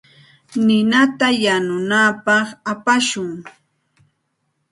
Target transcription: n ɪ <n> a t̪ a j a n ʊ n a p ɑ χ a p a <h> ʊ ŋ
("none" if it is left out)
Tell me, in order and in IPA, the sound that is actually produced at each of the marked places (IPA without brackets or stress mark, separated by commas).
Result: n, ʃ